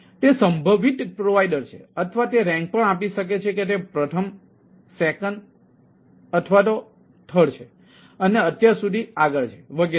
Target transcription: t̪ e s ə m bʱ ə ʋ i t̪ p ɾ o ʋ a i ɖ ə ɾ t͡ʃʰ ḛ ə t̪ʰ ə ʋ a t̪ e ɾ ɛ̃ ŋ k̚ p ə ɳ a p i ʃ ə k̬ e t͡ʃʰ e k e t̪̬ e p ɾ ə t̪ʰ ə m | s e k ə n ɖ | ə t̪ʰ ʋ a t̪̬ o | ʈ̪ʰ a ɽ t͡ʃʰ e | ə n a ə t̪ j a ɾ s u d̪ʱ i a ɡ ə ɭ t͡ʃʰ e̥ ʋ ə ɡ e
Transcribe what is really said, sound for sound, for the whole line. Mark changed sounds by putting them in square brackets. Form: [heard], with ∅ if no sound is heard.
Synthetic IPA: t̪ e s ə m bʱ ə ʋ i t̪ p ɾ o ʋ a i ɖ ə ɾ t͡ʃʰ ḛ ə t̪ʰ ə ʋ a t̪ e ɾ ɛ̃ ŋ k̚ p ə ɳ a p i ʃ ə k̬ e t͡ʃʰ e k e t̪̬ e p ɾ ə t̪ʰ ə m | s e k ə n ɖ | ə t̪ʰ ʋ a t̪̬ o | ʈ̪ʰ [ə] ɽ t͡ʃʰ e | ə n [e] ə t̪ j a ɾ s u d̪ʱ i a ɡ ə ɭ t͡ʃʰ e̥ ʋ ə ɡ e